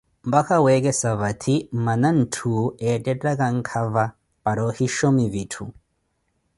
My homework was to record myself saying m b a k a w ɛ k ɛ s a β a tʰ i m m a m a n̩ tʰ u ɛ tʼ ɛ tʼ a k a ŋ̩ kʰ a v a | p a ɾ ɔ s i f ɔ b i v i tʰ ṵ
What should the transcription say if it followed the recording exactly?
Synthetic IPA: m b a k a w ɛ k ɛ s a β a tʰ i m m a n a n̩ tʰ u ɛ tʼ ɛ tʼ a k a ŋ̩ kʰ a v a | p a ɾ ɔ h i ʃ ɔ m i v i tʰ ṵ